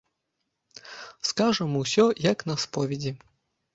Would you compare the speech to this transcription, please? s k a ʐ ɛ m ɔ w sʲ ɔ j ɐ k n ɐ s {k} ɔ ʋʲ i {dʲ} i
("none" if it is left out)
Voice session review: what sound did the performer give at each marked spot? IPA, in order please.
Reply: p, dʲ

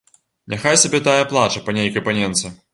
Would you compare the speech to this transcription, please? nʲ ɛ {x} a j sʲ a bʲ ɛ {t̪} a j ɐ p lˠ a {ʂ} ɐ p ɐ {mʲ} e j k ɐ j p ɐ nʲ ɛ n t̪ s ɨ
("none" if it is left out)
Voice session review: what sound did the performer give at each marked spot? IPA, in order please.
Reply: x, t̪, t͡ʂ, nʲ

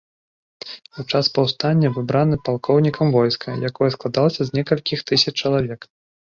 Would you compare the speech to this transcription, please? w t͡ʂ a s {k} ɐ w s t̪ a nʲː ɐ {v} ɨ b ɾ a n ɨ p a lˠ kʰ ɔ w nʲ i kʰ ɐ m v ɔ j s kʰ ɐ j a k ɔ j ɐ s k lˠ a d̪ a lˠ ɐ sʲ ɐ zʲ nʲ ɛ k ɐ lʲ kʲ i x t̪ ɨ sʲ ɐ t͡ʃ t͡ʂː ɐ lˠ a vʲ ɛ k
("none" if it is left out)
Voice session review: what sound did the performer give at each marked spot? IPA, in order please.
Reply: p, v

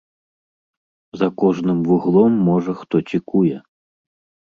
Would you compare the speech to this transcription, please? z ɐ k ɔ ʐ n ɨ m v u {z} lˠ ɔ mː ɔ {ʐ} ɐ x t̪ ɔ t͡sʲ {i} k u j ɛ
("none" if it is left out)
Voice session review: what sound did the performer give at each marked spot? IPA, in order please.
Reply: ɣ, ʐ, i

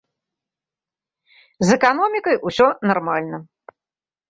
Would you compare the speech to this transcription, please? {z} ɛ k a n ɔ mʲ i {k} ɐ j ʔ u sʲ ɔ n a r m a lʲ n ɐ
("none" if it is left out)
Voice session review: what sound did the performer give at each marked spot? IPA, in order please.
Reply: z, k

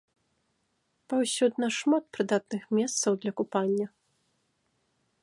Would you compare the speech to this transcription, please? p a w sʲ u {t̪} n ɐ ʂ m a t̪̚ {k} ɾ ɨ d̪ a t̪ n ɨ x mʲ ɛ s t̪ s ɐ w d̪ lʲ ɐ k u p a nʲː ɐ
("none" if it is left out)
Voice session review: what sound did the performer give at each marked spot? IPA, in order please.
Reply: d̪, p

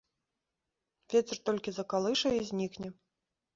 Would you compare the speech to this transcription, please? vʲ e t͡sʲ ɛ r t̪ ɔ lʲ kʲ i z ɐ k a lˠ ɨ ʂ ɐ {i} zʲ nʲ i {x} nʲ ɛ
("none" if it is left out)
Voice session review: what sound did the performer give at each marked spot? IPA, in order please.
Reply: i, k

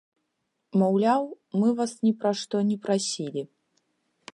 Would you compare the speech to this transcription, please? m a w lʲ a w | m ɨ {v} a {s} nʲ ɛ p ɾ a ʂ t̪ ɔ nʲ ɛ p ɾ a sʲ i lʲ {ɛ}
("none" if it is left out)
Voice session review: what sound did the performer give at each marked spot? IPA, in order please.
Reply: v, s, i

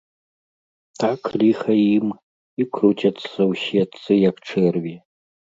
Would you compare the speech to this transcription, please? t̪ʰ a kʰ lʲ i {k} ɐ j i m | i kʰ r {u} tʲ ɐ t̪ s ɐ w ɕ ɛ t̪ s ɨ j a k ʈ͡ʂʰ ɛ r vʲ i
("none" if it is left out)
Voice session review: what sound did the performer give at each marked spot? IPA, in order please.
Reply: x, u

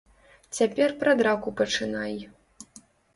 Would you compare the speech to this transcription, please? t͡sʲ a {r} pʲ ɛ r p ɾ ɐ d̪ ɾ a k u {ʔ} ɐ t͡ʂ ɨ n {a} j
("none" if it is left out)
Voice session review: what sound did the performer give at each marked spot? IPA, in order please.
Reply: none, p, a

